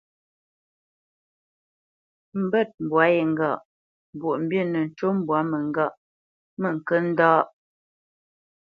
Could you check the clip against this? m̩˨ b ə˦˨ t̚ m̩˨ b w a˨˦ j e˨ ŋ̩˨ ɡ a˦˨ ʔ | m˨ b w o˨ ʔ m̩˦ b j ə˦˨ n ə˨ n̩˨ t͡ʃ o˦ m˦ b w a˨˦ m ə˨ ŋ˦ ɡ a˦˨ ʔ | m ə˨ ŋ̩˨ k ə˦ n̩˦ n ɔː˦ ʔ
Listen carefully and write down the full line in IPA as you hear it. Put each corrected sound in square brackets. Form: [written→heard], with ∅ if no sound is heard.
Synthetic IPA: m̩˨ b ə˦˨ t̚ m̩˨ b w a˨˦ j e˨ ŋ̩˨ ɡ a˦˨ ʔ | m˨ b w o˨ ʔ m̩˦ b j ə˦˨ n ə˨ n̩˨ t͡ʃ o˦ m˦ b w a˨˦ m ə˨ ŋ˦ ɡ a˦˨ ʔ | m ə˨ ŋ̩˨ k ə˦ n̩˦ [n→d] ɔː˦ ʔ